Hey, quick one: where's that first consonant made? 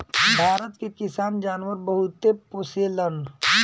lips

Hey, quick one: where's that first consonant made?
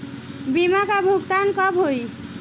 lips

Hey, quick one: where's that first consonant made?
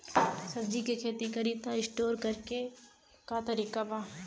tongue tip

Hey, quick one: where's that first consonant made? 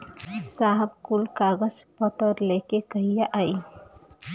tongue tip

